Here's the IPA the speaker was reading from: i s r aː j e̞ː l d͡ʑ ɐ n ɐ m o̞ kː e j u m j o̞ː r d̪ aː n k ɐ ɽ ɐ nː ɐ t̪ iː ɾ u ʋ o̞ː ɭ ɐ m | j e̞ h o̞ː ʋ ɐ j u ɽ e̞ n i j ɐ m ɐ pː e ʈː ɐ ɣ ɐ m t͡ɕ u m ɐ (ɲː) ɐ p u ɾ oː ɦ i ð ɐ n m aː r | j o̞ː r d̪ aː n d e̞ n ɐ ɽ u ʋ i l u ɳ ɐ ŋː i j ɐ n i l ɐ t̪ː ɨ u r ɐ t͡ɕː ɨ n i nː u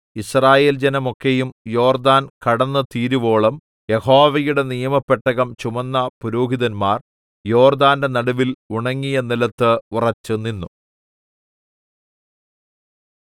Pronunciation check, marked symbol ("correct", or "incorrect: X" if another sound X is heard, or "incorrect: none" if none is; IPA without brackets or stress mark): incorrect: nː